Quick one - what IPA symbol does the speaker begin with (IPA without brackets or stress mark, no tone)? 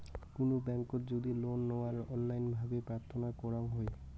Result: k